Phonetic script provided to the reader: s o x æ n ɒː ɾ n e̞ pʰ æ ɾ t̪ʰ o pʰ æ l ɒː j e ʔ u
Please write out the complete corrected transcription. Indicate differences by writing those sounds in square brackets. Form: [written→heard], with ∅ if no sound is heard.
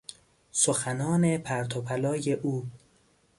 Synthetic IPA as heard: s o x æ n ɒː [ɾ→∅] n e̞ pʰ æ ɾ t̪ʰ o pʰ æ l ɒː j e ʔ [u→uː]